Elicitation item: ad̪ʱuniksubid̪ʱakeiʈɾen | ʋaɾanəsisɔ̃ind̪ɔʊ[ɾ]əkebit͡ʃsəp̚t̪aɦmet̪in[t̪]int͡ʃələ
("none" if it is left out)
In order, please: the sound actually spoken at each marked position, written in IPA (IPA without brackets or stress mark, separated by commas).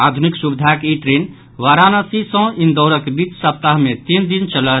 ɾ, d̪